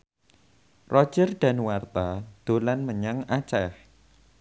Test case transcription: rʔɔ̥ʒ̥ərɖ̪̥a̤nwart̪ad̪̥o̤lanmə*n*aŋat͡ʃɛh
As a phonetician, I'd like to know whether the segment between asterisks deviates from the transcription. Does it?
yes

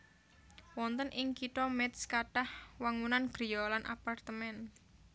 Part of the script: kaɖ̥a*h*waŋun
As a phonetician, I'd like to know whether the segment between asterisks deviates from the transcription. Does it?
no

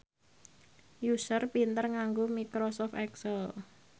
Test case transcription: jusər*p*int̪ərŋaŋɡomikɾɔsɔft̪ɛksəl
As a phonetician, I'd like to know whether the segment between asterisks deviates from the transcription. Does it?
no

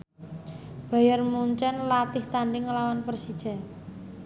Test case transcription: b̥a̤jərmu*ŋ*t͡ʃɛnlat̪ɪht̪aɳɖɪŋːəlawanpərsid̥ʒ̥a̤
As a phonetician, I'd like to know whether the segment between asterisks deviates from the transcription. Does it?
yes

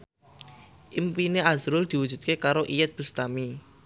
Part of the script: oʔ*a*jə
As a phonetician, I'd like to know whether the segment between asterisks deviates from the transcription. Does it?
yes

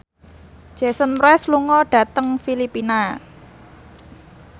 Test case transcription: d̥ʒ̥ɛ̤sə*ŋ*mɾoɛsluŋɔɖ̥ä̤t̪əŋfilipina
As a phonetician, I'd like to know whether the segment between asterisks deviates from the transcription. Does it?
yes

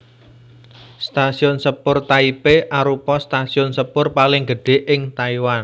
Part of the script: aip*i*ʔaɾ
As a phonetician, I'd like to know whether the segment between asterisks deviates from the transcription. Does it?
yes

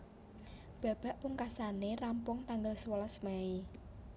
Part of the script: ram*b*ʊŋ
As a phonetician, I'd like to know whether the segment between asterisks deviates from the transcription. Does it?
yes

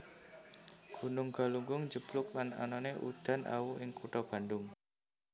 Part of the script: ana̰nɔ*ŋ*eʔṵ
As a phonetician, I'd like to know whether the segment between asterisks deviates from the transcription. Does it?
yes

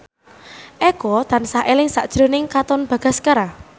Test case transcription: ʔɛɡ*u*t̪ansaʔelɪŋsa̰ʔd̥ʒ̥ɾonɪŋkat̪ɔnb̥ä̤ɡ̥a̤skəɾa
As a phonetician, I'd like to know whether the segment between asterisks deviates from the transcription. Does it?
yes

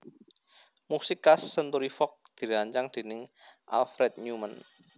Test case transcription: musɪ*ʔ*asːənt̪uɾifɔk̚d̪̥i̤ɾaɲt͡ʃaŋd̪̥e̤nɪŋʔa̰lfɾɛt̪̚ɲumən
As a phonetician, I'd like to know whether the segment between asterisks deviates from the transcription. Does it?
yes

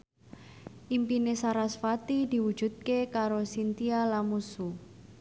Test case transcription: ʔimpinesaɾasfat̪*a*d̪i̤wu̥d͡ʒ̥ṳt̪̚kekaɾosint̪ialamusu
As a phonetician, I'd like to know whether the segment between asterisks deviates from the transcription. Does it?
yes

